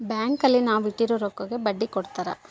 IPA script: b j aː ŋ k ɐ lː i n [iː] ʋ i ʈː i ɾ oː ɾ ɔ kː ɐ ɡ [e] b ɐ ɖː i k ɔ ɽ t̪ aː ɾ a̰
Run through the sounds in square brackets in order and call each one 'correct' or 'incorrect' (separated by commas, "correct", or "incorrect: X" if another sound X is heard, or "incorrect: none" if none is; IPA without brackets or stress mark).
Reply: incorrect: aː, correct